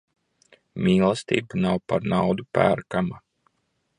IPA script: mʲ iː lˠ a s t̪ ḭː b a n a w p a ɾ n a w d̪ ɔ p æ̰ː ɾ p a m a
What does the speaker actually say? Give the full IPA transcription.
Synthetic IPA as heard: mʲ iː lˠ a s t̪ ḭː b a n a w p a ɾ n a w d̪ u p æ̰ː ɾ k a m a